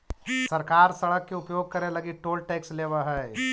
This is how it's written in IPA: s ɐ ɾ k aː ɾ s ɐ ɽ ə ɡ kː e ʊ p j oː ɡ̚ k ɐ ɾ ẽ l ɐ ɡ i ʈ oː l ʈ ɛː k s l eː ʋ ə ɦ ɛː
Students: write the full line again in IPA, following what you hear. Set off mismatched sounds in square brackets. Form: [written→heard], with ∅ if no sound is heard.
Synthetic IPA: s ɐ ɾ k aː ɾ s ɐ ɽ ə [ɡ→∅] kː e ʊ p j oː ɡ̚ k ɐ ɾ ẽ l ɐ ɡ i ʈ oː l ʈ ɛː k s l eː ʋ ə ɦ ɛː